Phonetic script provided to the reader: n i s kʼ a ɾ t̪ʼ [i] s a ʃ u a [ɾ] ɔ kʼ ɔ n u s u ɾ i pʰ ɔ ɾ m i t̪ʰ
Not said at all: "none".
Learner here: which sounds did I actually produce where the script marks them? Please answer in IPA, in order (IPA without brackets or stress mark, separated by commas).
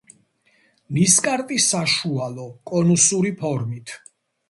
i, l